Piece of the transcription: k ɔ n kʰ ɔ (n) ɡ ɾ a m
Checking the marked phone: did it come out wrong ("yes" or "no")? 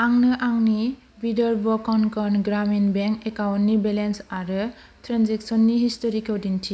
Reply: no